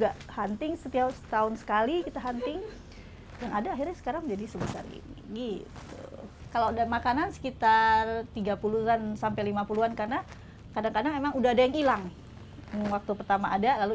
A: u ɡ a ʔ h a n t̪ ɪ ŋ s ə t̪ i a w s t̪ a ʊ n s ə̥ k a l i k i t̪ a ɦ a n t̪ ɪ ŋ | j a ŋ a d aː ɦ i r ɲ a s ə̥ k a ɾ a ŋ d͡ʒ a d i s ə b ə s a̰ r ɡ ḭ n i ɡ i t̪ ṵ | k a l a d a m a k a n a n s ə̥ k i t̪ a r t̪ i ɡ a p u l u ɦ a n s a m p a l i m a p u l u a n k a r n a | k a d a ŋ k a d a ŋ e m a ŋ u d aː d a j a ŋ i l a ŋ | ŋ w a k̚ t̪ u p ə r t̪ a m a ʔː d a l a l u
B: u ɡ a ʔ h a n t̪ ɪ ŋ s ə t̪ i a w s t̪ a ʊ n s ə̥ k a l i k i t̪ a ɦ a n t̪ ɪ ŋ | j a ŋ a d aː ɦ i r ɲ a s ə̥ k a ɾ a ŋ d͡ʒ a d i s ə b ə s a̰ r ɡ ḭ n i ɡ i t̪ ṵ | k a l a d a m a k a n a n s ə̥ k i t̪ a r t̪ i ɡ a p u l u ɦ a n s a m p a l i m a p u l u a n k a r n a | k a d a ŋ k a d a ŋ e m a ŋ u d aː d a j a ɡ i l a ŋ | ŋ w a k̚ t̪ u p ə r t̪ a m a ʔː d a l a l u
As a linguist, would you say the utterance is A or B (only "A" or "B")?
A